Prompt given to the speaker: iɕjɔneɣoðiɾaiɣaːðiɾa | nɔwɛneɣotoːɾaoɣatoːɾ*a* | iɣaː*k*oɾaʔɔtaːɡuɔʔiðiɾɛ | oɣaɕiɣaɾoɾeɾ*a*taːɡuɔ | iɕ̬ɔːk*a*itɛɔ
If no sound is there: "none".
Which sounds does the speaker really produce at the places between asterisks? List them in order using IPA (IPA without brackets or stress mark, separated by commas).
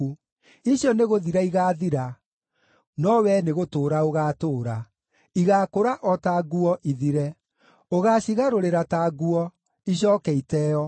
a, k, a, ɛ